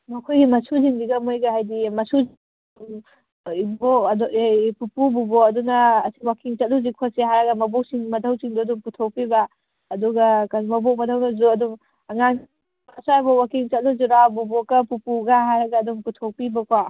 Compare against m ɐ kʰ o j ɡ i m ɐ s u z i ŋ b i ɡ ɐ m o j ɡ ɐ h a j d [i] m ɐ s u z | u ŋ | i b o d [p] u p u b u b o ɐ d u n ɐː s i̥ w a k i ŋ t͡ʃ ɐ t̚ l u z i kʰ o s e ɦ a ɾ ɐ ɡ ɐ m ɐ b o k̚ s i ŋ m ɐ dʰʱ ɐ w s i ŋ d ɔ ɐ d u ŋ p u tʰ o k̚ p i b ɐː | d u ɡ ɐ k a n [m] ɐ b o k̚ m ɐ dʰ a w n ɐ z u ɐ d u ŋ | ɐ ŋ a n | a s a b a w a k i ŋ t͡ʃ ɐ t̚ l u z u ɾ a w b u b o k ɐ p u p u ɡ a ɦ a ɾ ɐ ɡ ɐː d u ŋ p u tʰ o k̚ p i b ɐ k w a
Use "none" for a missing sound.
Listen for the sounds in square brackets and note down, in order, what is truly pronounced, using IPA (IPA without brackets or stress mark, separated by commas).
i, p, m